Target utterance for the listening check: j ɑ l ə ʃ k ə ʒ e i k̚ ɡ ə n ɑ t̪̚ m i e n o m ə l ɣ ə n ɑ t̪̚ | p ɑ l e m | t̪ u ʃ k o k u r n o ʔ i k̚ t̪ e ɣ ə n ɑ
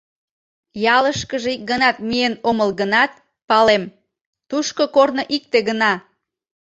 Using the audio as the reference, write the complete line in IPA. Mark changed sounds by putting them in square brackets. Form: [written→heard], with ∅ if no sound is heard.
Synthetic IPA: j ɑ l ə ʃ k ə ʒ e i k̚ ɡ ə n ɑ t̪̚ m i e n o m ə l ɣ ə n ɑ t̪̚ | p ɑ l e m | t̪ u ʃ k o k [u→o] r n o ʔ i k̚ t̪ e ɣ ə n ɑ